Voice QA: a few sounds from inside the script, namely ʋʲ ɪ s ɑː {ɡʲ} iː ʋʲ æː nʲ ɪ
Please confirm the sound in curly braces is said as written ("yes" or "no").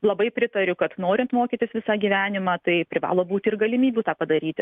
yes